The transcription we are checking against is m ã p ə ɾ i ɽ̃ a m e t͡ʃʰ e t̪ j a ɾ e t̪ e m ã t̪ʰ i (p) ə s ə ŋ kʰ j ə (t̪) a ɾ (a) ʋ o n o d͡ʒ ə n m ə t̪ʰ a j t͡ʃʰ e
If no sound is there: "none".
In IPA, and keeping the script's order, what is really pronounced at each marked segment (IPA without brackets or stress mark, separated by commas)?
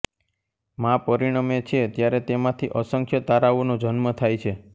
ʔ, t̪, a